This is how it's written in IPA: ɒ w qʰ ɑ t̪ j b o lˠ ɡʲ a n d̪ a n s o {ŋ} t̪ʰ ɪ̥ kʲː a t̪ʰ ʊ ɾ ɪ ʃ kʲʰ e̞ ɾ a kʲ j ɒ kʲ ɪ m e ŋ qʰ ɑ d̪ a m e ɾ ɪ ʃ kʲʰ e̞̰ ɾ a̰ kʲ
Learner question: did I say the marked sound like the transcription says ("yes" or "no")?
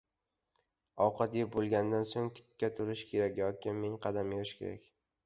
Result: yes